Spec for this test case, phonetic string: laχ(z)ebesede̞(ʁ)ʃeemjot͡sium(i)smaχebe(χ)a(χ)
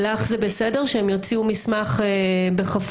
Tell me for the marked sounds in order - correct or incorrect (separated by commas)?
correct, correct, correct, correct, incorrect